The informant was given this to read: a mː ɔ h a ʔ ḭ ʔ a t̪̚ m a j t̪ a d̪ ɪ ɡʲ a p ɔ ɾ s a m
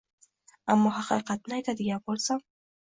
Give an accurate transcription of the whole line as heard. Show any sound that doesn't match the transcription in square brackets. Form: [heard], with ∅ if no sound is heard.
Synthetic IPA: a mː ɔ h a [q] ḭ [q] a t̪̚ [n] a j t̪ a d̪ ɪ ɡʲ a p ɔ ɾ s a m